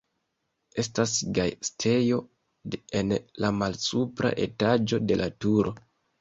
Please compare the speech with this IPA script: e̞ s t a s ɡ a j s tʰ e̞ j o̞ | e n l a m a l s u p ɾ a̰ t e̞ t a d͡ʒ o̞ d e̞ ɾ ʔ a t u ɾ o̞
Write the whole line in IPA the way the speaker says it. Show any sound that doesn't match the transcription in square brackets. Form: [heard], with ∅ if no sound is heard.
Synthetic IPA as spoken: e̞ s t a s ɡ a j s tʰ e̞ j o̞ | e n l a m a l s u p ɾ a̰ [ʔ] e̞ t a d͡ʒ o̞ d e̞ [l] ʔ a t u ɾ o̞